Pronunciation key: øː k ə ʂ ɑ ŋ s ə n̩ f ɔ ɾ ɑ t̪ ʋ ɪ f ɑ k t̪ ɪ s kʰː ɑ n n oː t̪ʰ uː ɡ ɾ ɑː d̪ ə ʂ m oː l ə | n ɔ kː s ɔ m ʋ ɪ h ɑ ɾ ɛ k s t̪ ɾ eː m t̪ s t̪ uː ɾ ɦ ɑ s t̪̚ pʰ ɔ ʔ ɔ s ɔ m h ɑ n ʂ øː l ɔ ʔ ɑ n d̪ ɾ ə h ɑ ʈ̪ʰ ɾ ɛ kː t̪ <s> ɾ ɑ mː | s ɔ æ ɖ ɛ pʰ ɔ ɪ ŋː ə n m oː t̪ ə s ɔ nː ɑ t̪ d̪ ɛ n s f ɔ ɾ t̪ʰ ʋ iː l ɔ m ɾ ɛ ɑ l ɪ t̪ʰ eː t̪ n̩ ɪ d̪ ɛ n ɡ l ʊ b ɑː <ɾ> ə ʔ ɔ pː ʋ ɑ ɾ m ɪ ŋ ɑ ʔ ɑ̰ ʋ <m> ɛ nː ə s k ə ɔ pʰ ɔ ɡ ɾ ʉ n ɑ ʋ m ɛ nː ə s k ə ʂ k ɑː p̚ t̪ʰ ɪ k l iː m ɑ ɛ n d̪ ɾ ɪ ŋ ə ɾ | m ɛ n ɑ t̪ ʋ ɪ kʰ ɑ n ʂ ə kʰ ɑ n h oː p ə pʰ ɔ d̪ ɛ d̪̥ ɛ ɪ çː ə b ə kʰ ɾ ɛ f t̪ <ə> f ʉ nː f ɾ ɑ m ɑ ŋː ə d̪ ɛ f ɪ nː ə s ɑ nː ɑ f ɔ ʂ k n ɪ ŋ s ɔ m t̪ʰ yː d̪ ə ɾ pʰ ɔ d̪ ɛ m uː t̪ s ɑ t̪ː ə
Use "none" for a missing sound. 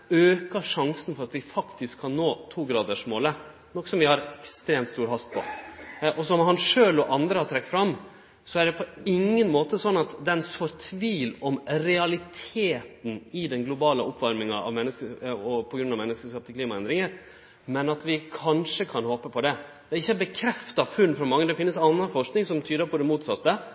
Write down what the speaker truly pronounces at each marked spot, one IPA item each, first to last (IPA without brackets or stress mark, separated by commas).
f, l, m, ɑ